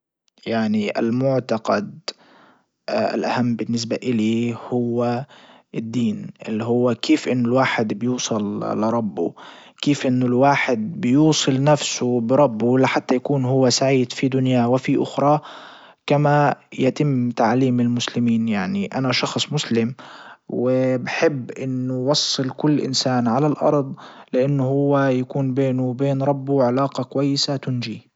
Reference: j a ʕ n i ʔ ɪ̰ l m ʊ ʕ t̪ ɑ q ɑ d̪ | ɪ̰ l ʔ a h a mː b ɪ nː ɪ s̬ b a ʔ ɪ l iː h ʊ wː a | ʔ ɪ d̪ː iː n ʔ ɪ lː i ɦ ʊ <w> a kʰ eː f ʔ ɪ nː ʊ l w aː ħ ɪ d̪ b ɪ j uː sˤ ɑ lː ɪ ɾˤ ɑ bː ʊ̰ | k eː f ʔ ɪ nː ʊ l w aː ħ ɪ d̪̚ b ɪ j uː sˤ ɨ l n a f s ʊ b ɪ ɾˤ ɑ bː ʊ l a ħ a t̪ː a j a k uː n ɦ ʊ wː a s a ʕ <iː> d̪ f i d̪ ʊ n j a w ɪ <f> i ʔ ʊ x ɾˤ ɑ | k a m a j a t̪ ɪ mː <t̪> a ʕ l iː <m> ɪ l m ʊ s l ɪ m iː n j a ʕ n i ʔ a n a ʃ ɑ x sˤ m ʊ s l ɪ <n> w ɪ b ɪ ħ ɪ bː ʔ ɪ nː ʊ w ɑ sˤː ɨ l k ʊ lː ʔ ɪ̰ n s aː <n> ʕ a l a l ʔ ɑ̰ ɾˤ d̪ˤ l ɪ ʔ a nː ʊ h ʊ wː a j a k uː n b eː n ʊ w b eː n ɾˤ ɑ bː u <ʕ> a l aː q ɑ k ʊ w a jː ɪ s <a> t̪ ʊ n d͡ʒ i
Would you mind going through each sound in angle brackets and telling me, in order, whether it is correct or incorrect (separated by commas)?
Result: incorrect, correct, correct, correct, correct, incorrect, correct, correct, correct